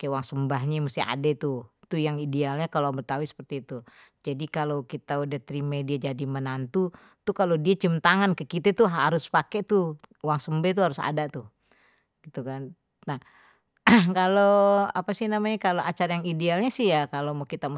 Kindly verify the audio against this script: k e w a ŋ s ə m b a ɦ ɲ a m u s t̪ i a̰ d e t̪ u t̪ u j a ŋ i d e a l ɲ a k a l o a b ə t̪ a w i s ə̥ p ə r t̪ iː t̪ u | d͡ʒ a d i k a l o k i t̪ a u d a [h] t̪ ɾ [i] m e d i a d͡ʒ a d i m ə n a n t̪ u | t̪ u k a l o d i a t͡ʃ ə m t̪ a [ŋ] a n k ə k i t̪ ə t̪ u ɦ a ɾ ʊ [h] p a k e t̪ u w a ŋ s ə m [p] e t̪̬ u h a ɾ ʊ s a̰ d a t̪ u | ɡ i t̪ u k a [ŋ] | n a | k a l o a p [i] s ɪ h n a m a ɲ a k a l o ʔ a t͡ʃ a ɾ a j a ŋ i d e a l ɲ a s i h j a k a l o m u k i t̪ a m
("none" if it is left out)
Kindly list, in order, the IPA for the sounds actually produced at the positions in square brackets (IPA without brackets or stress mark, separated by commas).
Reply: h, i, ŋ, s, b, n, a